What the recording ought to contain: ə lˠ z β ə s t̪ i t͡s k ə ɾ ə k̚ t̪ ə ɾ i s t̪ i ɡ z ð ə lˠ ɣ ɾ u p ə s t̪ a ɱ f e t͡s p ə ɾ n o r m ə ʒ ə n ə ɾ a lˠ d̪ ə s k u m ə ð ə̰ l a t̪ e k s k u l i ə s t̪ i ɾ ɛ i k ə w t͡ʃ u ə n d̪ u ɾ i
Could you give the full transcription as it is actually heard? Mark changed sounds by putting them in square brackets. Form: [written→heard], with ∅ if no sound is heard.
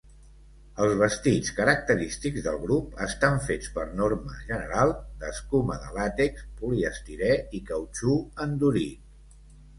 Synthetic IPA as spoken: ə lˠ z β ə s t̪ i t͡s k ə ɾ ə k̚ t̪ ə ɾ i s t̪ i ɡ z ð ə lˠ ɣ ɾ u p ə s t̪ a ɱ f e t͡s p ə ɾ n o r m ə ʒ ə n ə ɾ a lˠ d̪ ə s k u m ə ð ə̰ l a t̪ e k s [k→p] u l i ə s t̪ i ɾ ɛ i k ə w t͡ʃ u ə n d̪ u ɾ i